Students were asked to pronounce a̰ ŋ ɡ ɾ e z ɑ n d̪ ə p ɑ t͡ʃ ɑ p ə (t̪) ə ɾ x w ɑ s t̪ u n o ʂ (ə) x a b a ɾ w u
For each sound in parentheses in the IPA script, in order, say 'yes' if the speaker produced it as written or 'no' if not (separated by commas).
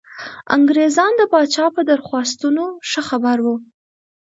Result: no, yes